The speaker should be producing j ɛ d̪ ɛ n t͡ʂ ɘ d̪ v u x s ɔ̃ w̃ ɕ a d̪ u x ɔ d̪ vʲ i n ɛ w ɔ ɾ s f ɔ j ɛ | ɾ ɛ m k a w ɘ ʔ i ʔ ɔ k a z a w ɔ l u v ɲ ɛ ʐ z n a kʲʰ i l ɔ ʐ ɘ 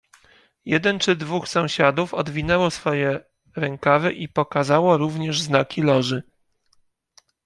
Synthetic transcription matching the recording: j ɛ d̪ ɛ n t͡ʂ ɘ d̪ v u x s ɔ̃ w̃ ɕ a d̪ u f ɔ d̪ vʲ i n ɛ w ɔ s f ɔ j ɛ | ɾ ɛ ŋ k a v ɘ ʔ i p ɔ k a z a w ɔ ɾ u v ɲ ɛ ʐ z n a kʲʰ i l ɔ ʐ ɘ